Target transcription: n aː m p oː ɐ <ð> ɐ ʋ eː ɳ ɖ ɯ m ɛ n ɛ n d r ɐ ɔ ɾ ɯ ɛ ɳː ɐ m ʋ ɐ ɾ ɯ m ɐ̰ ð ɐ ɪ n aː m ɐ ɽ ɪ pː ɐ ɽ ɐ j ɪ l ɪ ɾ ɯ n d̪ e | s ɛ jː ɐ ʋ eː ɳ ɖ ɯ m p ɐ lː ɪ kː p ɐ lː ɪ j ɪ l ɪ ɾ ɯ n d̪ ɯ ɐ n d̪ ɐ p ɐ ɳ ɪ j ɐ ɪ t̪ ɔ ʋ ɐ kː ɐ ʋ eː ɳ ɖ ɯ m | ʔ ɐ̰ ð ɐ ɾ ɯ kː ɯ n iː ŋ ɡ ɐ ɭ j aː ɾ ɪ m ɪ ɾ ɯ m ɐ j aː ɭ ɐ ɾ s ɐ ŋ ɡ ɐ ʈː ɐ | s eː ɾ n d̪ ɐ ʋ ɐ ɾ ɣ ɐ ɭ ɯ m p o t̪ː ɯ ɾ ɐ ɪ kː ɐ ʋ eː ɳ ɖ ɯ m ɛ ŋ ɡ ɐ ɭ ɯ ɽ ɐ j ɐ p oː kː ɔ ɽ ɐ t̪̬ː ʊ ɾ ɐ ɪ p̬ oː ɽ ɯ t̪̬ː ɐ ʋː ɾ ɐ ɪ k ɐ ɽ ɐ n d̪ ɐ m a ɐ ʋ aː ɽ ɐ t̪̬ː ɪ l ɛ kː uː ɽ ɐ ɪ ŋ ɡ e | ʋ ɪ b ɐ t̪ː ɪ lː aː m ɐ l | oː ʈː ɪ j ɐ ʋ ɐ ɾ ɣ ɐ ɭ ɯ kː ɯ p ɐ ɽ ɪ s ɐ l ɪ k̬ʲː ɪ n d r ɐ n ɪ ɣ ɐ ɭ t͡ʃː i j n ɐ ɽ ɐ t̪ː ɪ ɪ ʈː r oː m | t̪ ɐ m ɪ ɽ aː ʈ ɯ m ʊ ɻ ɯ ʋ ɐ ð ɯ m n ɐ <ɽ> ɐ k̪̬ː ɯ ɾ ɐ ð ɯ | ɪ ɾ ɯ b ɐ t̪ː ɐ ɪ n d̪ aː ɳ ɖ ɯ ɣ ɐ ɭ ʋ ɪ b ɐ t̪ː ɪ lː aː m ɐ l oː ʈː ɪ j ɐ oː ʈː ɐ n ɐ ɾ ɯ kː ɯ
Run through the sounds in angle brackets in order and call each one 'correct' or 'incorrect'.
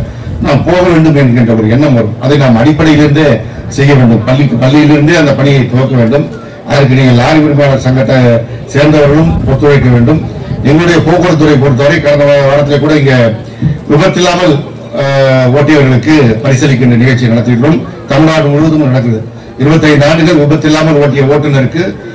incorrect, correct

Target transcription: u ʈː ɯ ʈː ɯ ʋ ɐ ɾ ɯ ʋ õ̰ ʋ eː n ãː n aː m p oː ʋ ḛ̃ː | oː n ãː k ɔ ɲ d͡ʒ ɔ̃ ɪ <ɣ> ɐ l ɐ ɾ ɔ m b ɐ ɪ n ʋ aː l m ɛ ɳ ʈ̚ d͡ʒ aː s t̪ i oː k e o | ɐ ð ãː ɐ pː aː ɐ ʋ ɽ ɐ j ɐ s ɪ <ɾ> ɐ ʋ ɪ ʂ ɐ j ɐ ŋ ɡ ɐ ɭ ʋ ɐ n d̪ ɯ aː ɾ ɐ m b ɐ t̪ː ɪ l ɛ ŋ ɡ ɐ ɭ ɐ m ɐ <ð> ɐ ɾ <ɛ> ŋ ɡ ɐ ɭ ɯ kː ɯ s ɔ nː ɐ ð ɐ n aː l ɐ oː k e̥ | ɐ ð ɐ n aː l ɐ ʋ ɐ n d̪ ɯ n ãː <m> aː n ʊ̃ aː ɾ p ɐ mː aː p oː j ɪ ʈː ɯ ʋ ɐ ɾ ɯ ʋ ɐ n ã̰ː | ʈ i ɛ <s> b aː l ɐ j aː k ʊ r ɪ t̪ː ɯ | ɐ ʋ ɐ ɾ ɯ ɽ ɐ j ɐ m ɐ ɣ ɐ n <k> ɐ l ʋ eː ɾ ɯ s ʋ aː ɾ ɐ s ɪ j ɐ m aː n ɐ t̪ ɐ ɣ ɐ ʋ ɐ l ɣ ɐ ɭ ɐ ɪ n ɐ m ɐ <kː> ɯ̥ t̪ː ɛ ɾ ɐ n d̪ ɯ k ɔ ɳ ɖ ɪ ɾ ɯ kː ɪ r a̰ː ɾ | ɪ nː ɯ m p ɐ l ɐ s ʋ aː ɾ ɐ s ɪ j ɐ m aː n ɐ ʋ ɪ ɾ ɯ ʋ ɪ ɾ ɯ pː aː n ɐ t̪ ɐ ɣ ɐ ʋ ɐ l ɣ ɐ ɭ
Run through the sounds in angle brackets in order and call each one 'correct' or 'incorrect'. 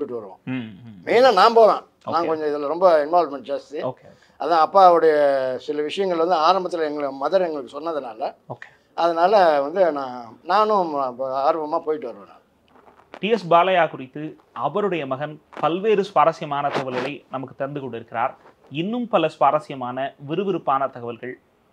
incorrect, incorrect, correct, correct, incorrect, correct, incorrect, correct

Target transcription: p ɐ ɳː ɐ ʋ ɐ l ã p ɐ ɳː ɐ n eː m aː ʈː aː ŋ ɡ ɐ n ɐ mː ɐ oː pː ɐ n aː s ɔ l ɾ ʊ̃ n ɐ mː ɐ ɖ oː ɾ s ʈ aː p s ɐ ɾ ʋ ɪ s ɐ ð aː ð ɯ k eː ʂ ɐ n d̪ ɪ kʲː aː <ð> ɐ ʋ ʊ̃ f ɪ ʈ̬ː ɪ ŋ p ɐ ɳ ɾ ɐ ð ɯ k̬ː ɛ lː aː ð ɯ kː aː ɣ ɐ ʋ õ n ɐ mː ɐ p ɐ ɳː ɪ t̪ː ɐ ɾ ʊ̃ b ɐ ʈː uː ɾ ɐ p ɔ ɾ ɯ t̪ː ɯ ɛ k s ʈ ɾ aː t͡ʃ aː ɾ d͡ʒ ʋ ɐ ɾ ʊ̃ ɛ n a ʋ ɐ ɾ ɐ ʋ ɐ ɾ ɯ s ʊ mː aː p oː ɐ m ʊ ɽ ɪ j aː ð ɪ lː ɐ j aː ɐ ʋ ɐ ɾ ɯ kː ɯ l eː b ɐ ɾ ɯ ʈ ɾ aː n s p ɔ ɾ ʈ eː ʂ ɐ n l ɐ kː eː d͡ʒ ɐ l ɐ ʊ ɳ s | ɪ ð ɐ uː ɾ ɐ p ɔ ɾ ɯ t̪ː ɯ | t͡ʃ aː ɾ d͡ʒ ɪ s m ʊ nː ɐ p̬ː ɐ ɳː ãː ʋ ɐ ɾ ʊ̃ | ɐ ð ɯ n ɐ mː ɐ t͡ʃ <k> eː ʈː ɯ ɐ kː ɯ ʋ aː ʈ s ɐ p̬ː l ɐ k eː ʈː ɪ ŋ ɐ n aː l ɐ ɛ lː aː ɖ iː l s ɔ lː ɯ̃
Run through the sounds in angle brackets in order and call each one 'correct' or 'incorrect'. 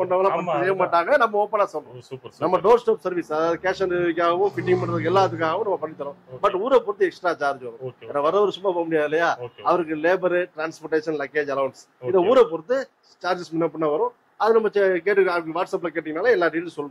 incorrect, correct

